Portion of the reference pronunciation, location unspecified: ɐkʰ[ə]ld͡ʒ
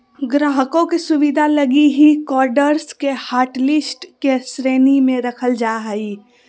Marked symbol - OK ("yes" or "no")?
yes